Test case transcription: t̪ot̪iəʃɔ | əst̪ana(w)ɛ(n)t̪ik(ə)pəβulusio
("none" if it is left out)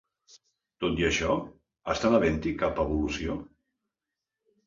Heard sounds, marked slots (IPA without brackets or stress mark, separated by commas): β, n, a